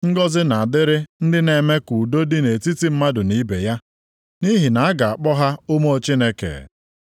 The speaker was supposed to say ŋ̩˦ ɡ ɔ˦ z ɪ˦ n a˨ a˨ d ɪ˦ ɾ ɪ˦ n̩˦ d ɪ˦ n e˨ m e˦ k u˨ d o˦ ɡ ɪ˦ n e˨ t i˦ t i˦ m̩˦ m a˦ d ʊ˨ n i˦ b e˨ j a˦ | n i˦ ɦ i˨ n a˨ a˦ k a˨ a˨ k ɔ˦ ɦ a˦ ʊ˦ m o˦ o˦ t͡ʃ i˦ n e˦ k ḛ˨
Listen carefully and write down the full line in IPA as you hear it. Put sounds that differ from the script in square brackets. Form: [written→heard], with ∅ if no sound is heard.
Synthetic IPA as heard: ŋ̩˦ ɡ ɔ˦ z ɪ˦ n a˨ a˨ d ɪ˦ ɾ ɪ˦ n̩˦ d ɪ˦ n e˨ m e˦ k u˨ d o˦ [ɡ→d] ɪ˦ n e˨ t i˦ t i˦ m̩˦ m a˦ d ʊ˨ n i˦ b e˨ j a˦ | n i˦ ɦ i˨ n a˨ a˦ [k→ɡ] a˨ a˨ [k→k͡p] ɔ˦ ɦ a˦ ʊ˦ m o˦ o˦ t͡ʃ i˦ n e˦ k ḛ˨